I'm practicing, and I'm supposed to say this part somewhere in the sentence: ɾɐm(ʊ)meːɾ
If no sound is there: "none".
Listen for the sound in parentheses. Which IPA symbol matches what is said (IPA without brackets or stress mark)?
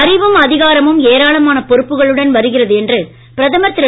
ɯ